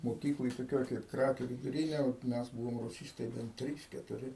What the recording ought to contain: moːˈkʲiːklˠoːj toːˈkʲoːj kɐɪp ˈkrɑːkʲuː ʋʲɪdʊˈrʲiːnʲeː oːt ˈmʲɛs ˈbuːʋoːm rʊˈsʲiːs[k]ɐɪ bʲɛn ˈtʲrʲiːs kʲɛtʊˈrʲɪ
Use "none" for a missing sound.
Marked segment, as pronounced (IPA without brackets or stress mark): t